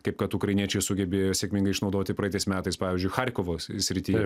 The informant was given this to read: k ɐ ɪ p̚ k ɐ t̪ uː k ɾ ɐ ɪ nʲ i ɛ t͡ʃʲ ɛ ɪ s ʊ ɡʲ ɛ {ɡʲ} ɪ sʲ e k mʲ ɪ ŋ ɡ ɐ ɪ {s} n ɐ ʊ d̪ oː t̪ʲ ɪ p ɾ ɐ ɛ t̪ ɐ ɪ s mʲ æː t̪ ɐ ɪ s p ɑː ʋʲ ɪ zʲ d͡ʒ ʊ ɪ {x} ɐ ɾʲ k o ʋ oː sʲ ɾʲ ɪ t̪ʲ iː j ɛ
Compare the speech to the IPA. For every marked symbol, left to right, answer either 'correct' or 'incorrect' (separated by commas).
incorrect, incorrect, correct